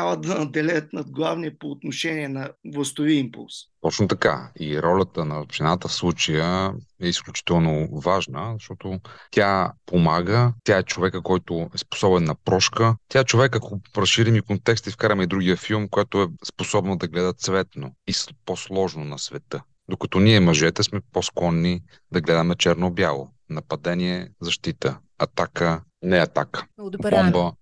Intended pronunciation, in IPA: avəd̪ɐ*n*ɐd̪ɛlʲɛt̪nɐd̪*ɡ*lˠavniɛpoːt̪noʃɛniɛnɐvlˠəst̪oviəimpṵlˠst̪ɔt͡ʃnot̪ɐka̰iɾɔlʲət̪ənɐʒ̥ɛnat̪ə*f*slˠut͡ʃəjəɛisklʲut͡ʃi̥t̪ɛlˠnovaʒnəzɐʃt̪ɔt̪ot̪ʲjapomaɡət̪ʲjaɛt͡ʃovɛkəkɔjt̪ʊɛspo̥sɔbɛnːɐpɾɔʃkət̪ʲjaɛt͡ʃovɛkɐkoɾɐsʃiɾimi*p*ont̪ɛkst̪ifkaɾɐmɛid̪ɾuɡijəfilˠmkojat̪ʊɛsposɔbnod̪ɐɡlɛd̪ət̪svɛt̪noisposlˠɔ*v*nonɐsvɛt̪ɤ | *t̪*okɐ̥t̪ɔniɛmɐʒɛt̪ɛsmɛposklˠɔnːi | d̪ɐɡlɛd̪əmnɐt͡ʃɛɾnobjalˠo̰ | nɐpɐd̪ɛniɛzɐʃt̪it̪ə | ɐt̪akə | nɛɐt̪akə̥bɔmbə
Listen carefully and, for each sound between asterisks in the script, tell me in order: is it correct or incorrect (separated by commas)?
correct, correct, correct, incorrect, incorrect, incorrect